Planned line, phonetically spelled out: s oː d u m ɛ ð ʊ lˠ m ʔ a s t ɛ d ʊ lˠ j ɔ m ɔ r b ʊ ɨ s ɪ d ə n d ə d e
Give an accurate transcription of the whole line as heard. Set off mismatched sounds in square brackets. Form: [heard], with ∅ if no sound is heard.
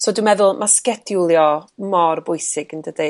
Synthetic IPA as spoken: s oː d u m ɛ ð ʊ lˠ m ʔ a s [k] ɛ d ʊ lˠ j ɔ m ɔ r b ʊ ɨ s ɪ [ɡ] ə n d ə d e